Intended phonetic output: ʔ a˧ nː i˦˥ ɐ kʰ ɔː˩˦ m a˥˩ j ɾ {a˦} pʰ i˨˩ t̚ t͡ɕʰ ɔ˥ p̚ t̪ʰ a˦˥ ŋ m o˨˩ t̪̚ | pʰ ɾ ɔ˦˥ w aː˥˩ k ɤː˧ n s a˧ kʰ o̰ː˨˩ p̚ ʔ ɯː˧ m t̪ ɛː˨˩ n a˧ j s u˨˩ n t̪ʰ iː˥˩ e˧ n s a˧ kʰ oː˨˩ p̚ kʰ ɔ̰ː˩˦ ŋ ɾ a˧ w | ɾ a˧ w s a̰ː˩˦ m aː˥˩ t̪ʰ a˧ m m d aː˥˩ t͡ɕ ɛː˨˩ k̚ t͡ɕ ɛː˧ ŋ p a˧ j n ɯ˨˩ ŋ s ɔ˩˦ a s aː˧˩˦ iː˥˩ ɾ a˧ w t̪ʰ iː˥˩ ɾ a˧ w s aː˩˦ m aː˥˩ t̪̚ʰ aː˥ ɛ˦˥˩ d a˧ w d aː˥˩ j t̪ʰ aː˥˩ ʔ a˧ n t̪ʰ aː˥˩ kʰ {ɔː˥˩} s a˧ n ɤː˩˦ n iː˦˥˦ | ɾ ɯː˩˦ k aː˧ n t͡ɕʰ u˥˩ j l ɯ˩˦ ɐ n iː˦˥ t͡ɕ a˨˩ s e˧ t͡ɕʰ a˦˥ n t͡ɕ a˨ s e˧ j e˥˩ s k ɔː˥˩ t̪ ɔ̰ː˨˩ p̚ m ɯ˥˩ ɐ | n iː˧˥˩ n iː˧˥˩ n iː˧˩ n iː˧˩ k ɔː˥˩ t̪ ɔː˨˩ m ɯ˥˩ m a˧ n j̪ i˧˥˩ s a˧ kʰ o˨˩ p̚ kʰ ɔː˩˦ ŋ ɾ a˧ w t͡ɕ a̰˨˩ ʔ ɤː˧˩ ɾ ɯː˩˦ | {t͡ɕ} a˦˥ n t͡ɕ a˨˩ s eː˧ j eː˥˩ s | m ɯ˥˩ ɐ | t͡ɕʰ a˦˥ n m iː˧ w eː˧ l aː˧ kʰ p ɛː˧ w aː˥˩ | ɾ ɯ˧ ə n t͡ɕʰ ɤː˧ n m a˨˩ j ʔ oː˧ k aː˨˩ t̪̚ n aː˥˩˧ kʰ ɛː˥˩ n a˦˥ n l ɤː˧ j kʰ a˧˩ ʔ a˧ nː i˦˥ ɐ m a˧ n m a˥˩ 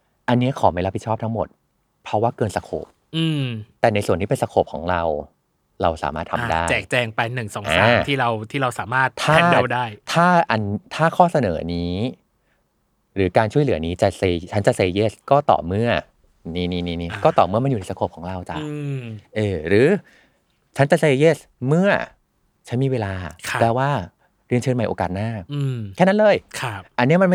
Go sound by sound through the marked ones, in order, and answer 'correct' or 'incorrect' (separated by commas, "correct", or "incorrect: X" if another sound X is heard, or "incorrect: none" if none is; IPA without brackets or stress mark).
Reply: correct, correct, incorrect: t͡ɕʰ